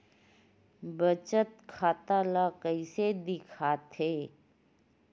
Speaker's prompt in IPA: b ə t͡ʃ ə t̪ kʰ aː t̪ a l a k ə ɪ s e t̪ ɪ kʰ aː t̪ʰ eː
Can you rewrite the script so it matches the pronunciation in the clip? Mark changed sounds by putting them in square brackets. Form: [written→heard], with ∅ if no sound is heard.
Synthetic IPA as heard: b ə t͡ʃ ə t̪ kʰ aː t̪ a l a k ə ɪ s e [t̪→d̪] ɪ kʰ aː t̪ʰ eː